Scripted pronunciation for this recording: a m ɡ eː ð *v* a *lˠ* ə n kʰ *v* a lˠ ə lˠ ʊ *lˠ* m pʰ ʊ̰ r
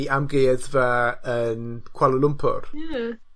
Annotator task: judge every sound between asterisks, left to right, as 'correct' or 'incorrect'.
correct, incorrect: none, incorrect: w, incorrect: none

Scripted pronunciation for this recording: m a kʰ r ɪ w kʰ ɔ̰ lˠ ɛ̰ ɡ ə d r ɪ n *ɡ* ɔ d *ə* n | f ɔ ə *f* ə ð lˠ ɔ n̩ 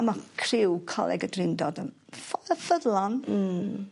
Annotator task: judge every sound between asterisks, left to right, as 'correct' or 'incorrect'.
incorrect: d, correct, correct

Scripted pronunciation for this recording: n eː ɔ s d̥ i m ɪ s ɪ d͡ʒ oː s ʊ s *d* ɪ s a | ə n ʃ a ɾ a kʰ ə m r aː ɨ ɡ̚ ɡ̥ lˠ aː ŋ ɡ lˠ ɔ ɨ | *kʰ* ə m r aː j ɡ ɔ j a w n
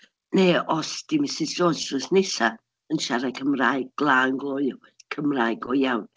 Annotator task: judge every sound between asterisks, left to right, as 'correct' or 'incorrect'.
incorrect: n, correct

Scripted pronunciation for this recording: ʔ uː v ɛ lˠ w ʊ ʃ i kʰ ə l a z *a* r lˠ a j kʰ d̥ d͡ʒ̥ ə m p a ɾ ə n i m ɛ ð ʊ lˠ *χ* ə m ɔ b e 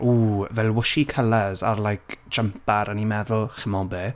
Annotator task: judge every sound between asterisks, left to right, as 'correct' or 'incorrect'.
correct, correct

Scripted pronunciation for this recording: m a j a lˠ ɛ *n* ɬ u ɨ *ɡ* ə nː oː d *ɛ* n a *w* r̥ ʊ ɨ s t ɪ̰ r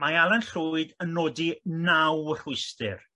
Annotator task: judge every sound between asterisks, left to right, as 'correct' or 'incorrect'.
correct, incorrect: d, incorrect: i, correct

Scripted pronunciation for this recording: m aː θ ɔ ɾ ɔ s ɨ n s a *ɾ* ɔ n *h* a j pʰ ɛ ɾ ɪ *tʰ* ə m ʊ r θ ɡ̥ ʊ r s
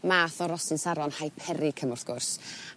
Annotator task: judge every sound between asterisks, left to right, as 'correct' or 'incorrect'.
correct, correct, incorrect: kʰ

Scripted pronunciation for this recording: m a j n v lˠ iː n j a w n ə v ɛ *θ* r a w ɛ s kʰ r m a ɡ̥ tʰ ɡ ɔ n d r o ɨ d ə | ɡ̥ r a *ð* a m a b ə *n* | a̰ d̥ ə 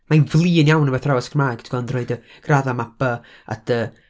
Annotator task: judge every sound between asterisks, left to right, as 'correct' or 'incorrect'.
correct, correct, incorrect: none

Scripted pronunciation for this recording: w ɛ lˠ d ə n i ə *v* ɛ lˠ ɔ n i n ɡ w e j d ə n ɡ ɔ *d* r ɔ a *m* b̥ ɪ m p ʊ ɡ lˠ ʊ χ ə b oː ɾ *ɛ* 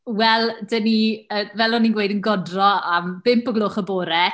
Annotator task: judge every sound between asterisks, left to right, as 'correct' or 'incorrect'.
correct, correct, correct, correct

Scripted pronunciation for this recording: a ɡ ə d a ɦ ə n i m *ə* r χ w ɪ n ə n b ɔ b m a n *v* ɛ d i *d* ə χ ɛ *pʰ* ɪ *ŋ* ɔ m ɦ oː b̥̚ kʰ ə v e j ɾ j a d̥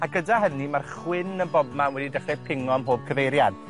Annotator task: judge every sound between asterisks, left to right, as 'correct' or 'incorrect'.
incorrect: a, incorrect: w, correct, correct, correct

